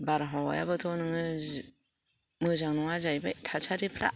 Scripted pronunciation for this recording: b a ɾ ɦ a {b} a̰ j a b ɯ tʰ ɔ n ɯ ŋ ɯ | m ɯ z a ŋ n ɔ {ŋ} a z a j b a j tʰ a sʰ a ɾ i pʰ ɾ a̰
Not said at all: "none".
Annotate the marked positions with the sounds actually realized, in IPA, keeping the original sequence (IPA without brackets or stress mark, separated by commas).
w, ŋ